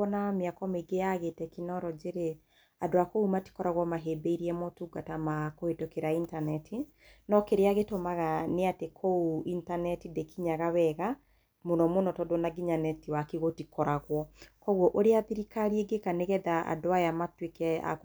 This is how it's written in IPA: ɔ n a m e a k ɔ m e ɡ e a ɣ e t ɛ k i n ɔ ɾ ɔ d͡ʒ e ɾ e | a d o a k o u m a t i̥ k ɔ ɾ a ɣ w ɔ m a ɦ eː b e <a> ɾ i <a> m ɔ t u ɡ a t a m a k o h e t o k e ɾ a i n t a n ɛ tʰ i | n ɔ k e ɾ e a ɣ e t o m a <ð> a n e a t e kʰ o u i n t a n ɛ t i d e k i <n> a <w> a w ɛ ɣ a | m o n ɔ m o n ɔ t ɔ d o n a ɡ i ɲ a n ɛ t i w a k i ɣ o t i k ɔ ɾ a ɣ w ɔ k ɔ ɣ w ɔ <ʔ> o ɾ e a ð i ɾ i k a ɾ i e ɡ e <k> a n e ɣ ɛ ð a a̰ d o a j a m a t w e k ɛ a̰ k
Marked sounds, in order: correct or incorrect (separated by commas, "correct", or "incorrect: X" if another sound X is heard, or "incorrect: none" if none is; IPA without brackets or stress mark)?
incorrect: i, incorrect: ɛ, incorrect: ɣ, incorrect: ɲ, incorrect: ɣ, correct, correct